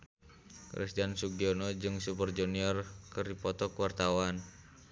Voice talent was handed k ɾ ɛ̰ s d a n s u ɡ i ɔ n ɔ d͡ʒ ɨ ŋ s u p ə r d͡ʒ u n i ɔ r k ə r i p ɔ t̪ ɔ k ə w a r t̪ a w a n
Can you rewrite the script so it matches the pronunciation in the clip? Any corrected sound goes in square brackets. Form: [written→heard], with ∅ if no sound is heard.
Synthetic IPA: k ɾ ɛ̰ s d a n s u ɡ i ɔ n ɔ d͡ʒ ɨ ŋ s u p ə r d͡ʒ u n i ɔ r k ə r i p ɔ t̪ ɔ k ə w a r t̪ a w a n